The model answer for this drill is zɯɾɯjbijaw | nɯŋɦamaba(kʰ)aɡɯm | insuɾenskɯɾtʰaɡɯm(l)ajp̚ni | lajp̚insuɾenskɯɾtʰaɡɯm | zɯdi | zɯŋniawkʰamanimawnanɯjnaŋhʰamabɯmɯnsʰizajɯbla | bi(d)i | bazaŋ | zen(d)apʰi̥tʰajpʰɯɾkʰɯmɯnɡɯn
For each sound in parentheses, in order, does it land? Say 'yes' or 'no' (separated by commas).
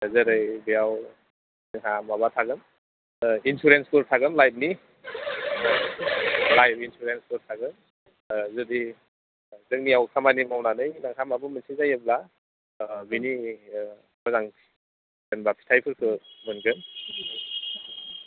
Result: no, yes, no, no